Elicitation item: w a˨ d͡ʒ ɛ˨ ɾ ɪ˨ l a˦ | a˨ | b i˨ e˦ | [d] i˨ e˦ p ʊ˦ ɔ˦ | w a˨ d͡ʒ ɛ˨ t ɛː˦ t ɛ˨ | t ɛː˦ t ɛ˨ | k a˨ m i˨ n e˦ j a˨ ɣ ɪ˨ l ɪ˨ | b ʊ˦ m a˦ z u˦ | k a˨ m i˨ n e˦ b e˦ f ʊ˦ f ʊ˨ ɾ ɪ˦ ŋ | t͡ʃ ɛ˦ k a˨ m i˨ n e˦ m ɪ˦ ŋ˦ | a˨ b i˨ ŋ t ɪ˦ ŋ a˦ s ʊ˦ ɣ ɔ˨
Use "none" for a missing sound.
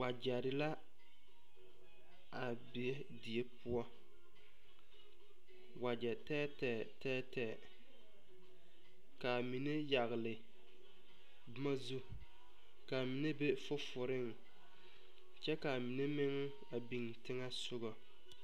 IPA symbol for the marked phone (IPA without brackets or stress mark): d